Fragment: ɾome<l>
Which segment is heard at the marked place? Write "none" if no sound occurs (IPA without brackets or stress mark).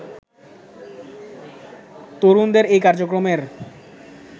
ɾ